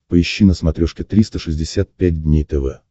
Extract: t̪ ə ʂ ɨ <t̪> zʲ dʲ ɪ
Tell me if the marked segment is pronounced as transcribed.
no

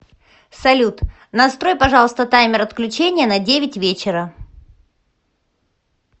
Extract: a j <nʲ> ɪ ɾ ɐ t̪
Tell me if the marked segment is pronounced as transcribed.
no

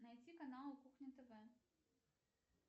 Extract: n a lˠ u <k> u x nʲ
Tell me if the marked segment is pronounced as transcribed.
yes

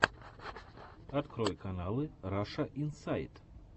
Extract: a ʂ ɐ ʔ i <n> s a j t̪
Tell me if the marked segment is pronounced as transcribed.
yes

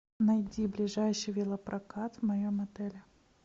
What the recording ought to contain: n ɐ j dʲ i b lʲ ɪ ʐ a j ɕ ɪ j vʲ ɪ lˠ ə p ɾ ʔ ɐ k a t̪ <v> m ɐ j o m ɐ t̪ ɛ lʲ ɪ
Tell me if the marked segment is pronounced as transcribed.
yes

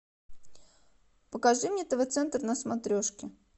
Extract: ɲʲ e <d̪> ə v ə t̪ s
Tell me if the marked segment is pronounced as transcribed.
no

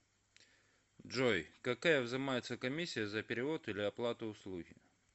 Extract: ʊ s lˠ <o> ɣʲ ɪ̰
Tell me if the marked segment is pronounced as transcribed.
no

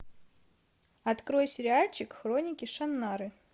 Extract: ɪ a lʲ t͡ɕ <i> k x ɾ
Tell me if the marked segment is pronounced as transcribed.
no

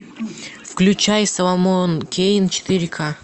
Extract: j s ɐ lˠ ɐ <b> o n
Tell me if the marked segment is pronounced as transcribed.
no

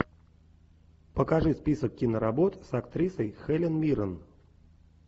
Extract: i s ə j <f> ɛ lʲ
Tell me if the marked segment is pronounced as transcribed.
no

